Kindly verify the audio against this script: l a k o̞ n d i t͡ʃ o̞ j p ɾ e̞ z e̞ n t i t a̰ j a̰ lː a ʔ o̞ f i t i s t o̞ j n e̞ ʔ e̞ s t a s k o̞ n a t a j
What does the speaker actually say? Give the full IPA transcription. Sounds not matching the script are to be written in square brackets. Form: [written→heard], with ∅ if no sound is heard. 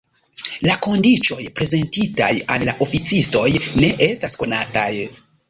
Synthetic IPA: l a k o̞ n d i t͡ʃ o̞ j p ɾ e̞ z e̞ n t i t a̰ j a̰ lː a ʔ o̞ f i [t→t͡s] i s t o̞ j n e̞ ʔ e̞ s t a s k o̞ n a t a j